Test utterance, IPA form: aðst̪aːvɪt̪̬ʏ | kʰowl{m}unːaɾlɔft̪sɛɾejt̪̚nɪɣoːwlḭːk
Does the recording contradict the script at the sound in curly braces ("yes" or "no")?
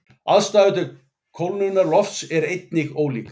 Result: yes